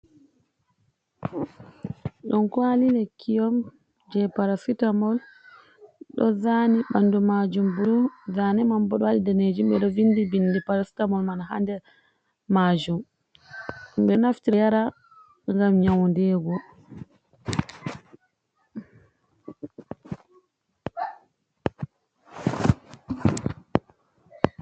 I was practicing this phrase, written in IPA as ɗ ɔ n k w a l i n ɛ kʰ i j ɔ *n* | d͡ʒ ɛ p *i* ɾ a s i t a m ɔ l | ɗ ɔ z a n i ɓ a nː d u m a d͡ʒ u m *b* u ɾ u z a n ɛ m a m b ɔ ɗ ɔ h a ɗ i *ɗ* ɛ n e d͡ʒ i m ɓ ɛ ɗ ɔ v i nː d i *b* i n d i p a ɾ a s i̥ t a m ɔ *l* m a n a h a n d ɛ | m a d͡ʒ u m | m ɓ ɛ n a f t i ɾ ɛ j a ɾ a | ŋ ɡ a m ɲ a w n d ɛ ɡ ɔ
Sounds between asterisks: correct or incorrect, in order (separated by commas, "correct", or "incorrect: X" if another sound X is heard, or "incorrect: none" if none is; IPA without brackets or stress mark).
incorrect: m, incorrect: a, correct, incorrect: d, correct, correct